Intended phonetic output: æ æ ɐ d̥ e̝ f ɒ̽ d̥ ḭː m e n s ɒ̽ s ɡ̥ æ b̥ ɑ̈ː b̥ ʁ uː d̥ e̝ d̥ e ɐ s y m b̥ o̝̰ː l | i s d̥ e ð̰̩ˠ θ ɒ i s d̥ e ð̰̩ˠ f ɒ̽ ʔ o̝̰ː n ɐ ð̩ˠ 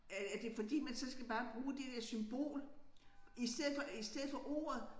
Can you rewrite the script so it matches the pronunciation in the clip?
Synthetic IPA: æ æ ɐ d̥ e̝ f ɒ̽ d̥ ḭː m æ n s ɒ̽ s ɡ̥ æ b̥ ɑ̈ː b̥ ʁ uː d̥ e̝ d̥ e ɐ s y m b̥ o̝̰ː l | i s d̥ e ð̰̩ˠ f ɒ i s d̥ e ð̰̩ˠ f ɒ̽ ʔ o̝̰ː ɐ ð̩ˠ